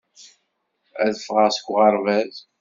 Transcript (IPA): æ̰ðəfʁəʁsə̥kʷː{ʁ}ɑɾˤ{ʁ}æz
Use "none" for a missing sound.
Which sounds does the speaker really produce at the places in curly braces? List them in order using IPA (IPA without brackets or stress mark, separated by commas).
ʁ, v